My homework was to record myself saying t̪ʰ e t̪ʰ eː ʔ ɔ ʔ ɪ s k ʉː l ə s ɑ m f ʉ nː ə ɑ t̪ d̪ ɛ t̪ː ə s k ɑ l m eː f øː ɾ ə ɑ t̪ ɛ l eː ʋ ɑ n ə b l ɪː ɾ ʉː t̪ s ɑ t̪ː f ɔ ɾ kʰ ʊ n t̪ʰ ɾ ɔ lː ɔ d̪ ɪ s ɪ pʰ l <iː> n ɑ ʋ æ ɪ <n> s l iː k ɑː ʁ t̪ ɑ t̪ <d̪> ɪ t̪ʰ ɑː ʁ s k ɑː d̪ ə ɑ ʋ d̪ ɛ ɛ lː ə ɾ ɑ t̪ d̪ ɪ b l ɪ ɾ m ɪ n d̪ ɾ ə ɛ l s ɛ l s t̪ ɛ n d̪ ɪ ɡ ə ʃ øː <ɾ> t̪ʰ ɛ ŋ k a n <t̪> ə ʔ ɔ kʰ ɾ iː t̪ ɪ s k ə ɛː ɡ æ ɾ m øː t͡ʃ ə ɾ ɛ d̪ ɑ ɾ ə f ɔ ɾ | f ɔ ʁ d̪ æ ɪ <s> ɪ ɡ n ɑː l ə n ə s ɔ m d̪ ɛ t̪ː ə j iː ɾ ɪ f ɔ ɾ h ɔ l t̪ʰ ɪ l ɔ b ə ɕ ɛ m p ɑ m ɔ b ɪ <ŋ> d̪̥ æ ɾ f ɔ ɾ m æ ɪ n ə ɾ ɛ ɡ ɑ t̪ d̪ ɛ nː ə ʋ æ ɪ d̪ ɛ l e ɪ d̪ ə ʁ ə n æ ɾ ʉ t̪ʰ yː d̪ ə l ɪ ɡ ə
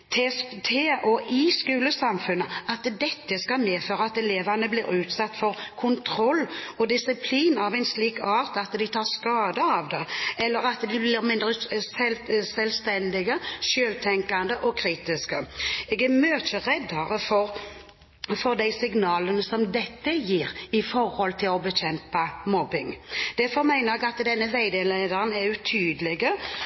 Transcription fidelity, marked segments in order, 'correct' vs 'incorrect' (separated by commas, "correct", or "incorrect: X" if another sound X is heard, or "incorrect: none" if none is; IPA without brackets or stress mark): correct, correct, correct, incorrect: l, incorrect: d̪, correct, correct